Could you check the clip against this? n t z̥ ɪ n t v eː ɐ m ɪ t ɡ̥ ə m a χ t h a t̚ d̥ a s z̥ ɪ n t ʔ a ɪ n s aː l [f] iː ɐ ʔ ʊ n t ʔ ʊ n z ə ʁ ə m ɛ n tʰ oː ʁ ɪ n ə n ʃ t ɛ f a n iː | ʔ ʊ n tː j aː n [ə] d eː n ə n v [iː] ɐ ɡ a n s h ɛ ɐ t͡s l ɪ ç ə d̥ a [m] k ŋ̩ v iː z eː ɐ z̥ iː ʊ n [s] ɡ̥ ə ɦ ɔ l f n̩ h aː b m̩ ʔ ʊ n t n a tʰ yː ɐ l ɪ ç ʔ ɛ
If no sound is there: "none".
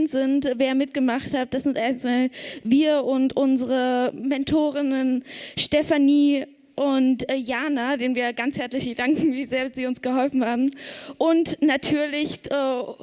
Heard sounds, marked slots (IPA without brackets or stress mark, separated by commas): v, a, iː, ŋ, s